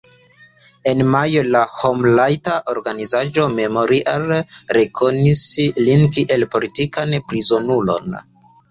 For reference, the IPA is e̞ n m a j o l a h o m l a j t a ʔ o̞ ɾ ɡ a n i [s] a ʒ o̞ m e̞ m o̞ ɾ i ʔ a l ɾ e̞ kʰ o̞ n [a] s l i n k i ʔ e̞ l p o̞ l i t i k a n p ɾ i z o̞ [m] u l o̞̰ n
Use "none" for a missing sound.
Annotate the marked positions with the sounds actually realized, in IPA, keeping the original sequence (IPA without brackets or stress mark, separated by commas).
z, i, n